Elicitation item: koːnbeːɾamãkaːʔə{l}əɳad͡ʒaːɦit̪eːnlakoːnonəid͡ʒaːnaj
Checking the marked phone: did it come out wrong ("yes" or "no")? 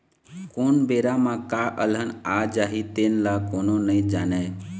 no